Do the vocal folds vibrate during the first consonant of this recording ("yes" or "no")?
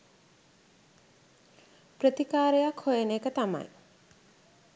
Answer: no